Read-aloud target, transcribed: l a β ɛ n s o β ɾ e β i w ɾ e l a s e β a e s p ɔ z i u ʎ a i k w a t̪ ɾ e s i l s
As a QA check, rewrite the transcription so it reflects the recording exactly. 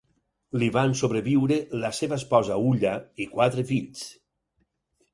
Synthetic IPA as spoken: l i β a n s o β ɾ e β i w ɾ e l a s e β a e s p ɔ z a u ʎ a i k w a t̪ ɾ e f i ʎ s